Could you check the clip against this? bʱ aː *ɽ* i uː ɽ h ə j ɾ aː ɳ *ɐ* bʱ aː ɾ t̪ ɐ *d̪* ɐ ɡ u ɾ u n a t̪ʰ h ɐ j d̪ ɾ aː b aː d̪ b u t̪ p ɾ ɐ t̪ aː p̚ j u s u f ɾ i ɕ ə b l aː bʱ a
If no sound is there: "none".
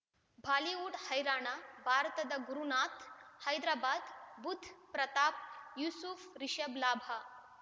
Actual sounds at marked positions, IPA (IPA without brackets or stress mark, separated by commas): l, a, d̪